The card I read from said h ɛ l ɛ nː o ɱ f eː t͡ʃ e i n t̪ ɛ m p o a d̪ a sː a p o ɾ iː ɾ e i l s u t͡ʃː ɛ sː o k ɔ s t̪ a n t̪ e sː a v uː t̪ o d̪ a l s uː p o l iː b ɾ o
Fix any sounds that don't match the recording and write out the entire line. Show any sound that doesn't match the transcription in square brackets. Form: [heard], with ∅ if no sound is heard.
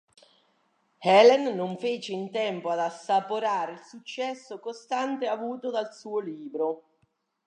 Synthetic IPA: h ɛ l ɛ nː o ɱ f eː t͡ʃ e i n t̪ ɛ m p o a d̪ a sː a p o ɾ [aː] ɾ e i l s u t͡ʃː ɛ sː o k [o] s t̪ a n t̪ e [∅] a v uː t̪ o d̪ a l s uː [∅] o l iː b ɾ o